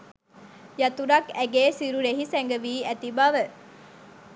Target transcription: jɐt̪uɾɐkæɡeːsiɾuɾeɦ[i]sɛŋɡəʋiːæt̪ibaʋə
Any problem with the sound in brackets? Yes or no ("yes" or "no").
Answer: no